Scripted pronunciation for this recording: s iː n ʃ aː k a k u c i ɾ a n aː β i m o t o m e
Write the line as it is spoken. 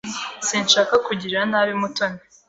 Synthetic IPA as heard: s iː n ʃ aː k a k u ɟ i ɾ a n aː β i m u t o n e